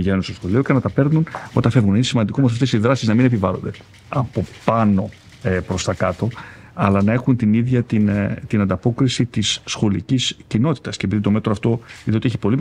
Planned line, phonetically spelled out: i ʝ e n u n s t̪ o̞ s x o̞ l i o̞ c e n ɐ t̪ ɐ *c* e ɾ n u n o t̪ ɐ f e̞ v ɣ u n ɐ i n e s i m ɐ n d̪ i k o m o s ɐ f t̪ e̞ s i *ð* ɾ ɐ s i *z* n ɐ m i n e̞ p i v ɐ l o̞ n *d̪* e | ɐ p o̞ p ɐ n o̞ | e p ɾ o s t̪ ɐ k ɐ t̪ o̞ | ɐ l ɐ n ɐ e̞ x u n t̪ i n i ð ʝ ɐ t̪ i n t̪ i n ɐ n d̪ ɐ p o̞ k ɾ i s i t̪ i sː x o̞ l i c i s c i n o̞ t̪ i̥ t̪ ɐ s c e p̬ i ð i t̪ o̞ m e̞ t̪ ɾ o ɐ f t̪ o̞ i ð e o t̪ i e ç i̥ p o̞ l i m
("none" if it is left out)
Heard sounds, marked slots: p, ð, z, d̪

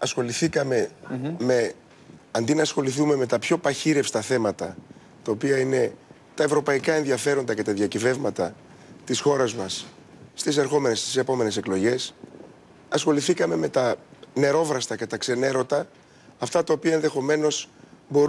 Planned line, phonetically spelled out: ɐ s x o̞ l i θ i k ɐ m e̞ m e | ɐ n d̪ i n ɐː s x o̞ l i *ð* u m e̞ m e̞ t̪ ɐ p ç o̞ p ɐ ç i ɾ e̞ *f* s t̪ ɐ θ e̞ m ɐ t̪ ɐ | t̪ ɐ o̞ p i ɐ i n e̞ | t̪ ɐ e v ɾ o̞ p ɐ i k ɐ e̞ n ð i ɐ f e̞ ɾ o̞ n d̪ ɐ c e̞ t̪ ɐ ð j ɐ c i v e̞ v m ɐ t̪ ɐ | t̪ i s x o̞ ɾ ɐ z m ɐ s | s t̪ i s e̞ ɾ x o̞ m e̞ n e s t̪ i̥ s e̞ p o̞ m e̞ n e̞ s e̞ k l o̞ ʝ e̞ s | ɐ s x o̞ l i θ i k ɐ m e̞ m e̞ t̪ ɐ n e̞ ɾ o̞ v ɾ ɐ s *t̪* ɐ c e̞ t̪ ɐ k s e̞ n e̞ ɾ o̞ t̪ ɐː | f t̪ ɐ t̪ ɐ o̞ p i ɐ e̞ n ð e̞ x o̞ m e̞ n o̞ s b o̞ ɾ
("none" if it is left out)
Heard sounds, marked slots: θ, f, t̪

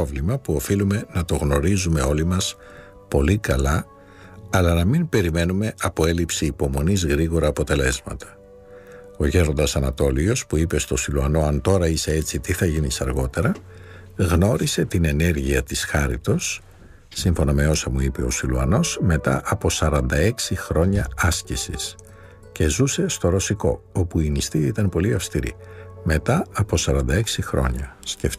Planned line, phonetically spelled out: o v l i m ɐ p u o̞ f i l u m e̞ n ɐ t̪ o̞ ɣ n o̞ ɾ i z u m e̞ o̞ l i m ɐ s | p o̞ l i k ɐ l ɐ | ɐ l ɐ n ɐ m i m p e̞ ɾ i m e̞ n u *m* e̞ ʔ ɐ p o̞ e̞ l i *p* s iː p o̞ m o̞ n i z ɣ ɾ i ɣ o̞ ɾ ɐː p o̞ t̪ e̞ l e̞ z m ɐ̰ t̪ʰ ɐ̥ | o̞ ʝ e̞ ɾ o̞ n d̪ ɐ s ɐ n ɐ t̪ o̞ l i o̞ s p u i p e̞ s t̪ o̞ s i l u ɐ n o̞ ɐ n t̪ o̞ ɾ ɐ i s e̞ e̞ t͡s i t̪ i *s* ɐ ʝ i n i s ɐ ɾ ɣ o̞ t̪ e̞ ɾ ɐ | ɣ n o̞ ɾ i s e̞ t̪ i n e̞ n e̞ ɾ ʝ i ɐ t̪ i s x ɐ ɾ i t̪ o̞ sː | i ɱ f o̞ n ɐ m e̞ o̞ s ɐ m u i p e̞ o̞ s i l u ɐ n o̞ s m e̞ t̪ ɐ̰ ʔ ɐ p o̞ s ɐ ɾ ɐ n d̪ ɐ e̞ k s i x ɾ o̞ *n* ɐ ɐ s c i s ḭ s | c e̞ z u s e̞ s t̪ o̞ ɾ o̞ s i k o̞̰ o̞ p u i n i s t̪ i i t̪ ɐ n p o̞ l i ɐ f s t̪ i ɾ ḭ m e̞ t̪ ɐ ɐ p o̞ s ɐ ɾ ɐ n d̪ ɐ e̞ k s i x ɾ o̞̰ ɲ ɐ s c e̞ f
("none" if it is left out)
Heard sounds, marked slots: m, p, θ, ɲ

